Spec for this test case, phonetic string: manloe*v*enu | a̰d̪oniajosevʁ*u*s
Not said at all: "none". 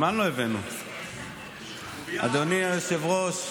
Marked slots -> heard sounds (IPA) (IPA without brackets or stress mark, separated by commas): v, o